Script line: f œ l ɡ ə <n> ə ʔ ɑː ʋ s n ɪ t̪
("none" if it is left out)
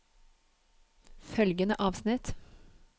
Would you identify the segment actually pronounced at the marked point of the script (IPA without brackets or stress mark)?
n